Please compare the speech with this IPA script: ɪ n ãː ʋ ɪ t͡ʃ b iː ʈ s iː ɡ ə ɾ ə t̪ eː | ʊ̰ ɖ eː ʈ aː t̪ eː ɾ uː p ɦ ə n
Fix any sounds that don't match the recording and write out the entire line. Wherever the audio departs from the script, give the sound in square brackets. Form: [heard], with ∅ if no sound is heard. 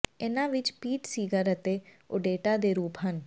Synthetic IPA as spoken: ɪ n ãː ʋ ɪ t͡ʃ [p] iː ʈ s iː ɡ ə ɾ ə t̪ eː | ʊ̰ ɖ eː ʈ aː [d̪] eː ɾ uː p ɦ ə n